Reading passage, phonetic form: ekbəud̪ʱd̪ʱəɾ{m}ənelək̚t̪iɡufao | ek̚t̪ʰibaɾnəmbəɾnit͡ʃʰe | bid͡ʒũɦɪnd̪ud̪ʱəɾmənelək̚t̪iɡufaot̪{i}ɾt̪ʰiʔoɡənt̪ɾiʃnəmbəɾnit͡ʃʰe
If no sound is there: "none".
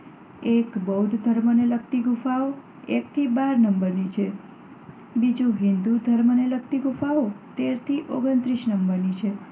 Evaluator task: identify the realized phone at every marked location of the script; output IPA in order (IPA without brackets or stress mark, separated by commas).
m, e